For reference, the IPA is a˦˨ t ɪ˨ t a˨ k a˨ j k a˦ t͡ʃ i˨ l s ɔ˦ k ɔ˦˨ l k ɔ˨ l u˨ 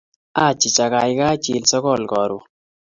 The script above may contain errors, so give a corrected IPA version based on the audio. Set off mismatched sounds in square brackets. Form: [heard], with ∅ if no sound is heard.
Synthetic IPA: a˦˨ [t͡ʃ] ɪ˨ [t͡ʃ] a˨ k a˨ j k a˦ t͡ʃ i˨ l s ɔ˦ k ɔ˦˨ l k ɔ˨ [ɾ] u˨